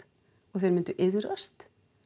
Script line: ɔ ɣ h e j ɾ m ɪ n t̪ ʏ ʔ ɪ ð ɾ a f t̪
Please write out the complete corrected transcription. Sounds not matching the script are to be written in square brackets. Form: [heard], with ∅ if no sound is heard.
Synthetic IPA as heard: ɔ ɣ [θ] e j ɾ m ɪ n t̪ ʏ ʔ ɪ ð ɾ a [s] t̪